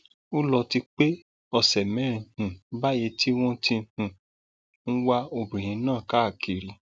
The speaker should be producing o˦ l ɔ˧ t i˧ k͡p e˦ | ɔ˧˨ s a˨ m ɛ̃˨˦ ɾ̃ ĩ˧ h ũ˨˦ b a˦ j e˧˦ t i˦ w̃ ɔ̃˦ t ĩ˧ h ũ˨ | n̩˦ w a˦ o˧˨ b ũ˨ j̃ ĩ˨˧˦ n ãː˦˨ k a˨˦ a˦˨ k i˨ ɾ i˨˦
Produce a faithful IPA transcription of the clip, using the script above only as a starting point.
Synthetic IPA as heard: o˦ l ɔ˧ t i˧ k͡p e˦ | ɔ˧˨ s ɛ˨ m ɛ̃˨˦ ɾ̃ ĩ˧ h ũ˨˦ b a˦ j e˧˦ t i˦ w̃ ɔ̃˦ t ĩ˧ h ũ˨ | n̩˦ w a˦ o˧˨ b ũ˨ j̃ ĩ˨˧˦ n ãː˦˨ k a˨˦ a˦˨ k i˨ ɾ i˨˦